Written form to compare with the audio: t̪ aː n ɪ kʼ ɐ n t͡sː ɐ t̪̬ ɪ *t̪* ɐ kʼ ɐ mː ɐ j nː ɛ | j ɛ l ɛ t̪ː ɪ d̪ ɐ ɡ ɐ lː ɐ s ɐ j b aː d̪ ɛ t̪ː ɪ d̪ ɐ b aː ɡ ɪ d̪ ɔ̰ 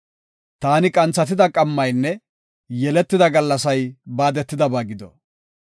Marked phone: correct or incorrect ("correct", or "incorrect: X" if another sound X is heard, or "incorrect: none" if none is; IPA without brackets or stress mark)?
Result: incorrect: d̪